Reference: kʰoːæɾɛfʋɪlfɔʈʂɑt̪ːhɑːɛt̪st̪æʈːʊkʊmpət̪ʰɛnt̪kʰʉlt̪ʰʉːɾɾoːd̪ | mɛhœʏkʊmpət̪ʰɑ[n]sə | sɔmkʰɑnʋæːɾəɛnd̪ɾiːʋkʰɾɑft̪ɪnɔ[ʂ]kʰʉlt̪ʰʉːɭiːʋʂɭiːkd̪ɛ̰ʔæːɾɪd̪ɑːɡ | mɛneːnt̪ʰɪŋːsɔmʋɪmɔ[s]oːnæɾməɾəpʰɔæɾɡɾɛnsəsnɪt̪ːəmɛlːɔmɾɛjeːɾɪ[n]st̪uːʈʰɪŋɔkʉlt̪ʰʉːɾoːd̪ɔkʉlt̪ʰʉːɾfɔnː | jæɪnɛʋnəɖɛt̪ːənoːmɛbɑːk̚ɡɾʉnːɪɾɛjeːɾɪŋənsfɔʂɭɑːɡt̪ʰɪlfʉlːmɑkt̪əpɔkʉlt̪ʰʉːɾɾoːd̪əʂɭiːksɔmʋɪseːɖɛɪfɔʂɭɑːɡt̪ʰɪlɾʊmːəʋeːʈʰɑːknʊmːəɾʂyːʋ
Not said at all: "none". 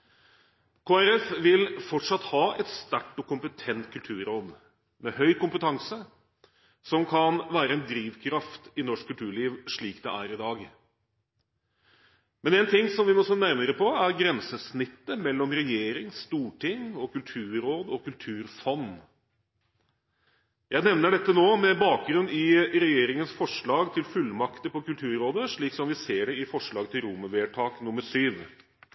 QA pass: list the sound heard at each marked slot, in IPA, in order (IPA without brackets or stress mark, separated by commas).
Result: ŋ, ʂ, s, ŋ